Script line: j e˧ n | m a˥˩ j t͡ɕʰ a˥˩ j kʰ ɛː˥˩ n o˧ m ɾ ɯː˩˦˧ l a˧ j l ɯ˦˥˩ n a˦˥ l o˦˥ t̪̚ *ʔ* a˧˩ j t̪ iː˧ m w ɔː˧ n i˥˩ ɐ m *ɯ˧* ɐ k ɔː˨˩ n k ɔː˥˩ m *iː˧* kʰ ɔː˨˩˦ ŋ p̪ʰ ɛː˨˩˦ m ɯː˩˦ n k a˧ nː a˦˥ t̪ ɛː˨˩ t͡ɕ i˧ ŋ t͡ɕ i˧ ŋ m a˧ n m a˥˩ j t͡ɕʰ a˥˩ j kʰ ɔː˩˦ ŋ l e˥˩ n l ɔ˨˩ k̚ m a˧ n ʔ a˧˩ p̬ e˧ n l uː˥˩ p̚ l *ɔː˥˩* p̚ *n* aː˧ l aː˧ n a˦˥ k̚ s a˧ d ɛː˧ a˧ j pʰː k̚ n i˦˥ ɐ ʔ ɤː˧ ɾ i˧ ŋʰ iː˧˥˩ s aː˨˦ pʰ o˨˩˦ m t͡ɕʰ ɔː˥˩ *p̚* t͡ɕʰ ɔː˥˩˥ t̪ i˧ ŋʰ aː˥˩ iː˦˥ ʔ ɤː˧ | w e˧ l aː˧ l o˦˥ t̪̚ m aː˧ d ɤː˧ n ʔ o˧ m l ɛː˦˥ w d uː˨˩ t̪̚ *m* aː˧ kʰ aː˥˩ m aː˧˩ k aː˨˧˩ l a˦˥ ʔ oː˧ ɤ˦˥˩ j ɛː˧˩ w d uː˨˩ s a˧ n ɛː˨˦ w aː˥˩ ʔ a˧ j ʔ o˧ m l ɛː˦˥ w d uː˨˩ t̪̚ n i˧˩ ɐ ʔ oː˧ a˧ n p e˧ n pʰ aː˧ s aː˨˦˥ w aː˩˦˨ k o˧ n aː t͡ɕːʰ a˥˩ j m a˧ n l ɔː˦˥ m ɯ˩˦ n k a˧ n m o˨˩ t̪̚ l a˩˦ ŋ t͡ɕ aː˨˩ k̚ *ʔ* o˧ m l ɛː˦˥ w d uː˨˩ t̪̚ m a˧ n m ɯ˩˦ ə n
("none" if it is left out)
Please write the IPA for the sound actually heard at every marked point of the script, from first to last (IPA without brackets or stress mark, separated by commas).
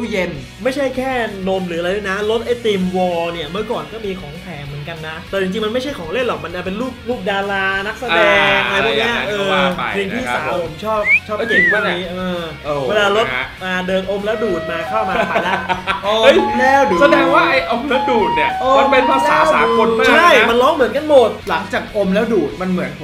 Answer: ʔ, ɯ˥˩, iː˧, uː˥˩, d, p̚, m, ʔ